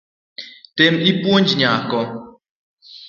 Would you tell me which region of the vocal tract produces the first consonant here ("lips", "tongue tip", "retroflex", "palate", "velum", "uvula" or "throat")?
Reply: tongue tip